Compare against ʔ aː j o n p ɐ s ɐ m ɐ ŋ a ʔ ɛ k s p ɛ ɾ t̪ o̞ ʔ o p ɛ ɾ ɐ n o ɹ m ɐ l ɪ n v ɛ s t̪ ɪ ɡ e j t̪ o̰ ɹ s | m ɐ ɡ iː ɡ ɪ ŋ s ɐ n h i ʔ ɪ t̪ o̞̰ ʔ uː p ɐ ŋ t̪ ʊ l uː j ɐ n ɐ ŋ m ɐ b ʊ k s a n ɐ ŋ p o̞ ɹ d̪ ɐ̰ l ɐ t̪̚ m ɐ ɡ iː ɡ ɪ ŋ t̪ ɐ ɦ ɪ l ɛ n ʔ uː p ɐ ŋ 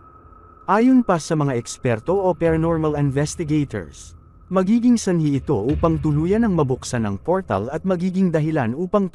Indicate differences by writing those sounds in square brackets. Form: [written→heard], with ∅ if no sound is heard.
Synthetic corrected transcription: ʔ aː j o n p ɐ s ɐ m ɐ ŋ a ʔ ɛ k s p ɛ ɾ t̪ o̞ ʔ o p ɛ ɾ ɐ n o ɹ m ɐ l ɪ n v ɛ s t̪ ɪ ɡ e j t̪ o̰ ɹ s | m ɐ ɡ iː ɡ ɪ ŋ s ɐ n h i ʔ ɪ t̪ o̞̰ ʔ uː p ɐ ŋ t̪ ʊ l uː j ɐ n ɐ ŋ m ɐ b ʊ k s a n ɐ ŋ p o̞ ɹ [d̪→t̪] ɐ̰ l ɐ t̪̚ m ɐ ɡ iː ɡ ɪ ŋ [t̪→d̪] ɐ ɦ ɪ l [ɛ→a] n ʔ uː p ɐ ŋ